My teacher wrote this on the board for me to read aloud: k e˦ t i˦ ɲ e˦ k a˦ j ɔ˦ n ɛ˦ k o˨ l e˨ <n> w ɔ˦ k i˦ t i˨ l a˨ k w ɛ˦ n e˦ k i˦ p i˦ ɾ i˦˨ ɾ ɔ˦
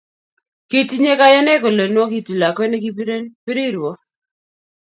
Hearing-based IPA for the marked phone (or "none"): n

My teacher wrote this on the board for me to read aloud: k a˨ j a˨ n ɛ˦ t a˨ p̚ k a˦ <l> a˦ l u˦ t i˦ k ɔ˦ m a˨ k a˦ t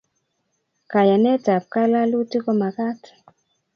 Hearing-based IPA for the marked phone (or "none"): l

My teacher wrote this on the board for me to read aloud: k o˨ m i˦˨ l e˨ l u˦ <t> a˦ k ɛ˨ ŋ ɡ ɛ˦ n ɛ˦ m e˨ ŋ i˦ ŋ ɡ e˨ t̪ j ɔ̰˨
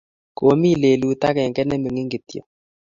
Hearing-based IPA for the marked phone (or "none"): t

